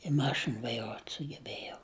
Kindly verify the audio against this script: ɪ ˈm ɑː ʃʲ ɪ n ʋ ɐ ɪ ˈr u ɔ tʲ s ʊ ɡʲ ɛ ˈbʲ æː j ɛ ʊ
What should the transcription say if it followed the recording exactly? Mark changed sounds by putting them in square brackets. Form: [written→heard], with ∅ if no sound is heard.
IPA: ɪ ˈm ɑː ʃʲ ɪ n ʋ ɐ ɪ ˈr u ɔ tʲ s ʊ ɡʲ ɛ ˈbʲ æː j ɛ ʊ